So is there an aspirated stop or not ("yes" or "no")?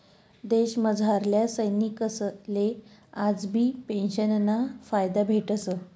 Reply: no